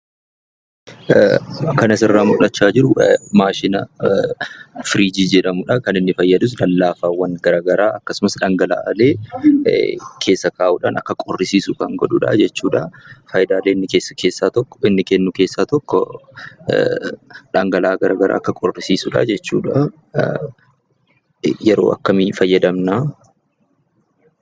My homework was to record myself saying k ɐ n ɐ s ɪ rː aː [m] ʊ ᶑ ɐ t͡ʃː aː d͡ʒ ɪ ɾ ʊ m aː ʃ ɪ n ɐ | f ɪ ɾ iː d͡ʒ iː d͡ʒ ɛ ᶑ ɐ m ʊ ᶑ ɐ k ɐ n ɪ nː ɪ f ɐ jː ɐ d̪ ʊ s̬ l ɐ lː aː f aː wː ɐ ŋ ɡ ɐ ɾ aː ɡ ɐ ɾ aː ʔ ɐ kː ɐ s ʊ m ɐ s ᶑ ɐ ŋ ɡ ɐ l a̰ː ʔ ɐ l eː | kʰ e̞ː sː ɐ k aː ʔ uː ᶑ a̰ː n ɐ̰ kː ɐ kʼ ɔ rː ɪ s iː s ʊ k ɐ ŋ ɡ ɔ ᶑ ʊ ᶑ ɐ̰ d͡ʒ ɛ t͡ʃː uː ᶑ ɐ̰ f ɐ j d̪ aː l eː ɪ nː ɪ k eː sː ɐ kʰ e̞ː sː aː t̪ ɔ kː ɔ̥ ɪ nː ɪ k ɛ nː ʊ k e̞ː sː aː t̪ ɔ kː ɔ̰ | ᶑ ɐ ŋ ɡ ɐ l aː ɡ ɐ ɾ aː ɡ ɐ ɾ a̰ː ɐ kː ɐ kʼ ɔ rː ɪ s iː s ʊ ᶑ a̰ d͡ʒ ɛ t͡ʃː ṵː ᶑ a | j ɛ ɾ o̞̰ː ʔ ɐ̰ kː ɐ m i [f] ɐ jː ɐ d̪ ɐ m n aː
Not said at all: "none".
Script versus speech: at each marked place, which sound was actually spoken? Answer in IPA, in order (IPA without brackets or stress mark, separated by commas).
m, f